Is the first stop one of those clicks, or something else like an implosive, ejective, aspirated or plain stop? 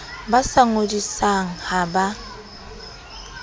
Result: plain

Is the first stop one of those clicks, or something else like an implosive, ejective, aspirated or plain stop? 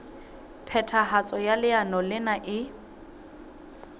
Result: aspirated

